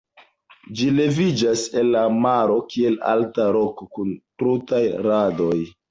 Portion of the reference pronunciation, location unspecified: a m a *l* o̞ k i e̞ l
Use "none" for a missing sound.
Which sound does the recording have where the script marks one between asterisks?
ɾ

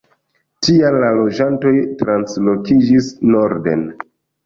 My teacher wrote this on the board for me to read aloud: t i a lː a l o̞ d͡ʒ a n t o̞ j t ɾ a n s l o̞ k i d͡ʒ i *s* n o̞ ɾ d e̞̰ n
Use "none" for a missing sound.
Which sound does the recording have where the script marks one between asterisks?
s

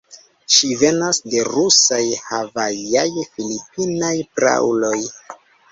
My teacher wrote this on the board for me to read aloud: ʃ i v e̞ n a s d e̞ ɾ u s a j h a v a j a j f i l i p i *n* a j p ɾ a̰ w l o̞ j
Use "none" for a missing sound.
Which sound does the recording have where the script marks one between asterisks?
n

